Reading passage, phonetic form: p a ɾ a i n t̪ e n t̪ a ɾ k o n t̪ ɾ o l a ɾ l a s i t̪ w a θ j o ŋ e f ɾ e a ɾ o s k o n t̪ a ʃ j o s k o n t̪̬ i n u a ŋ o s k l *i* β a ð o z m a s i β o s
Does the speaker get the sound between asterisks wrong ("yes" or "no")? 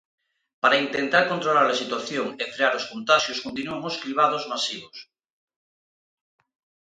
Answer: no